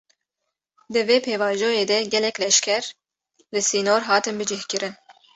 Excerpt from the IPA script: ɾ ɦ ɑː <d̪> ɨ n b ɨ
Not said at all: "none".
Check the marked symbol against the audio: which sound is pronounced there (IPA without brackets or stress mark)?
t̪